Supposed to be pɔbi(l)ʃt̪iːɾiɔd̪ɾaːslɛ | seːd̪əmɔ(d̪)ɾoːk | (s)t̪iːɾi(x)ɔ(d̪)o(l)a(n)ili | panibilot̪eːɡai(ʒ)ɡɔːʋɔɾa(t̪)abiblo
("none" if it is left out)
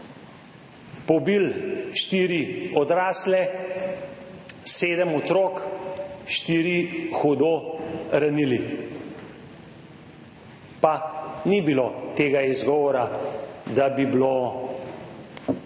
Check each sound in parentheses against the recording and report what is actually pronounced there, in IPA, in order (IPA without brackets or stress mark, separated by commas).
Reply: l, t̪, ʃ, x, d̪, ɾ, n, z, d̪